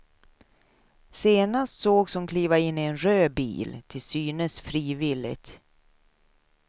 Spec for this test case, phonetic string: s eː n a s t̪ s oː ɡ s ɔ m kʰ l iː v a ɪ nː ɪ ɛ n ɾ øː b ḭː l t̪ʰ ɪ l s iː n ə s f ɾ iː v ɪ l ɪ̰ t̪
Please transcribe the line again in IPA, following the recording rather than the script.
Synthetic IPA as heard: s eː n a s t̪ s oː ɡ s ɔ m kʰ l iː v a ɪ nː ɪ ɛ n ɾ øː b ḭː l t̪ʰ ɪ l s yː n ə s f ɾ iː v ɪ l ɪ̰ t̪